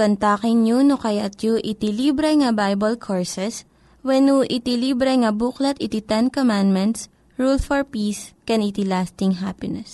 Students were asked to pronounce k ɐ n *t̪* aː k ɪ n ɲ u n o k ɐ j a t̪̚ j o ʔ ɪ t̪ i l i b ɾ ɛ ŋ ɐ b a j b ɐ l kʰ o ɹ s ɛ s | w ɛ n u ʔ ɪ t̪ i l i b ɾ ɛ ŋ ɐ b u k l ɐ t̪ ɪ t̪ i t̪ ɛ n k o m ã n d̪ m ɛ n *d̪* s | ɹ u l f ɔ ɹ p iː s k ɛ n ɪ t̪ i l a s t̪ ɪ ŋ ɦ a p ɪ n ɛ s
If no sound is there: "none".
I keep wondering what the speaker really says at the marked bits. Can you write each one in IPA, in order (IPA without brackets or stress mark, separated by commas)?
t̪, t̪